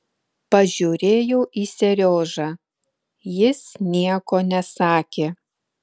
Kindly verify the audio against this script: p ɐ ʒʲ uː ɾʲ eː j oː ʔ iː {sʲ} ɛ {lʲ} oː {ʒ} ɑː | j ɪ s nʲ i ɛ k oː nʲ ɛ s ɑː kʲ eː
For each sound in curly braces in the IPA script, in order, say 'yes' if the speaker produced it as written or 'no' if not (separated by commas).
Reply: yes, no, yes